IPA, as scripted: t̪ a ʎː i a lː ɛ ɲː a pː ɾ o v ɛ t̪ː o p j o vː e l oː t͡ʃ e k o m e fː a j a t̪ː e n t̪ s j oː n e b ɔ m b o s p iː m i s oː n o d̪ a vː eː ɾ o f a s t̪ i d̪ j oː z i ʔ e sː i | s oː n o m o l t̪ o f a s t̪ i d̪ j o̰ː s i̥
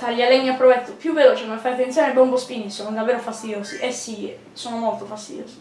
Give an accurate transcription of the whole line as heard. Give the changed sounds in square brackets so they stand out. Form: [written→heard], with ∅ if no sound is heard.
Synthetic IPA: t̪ a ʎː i a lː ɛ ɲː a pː ɾ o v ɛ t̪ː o p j [o→u] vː e l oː t͡ʃ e k o m e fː a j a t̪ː e n t̪ s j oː n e b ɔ m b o s p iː [m→n] i s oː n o d̪ a vː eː ɾ o f a s t̪ i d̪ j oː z i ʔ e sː i | s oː n o m o l t̪ o f a s t̪ i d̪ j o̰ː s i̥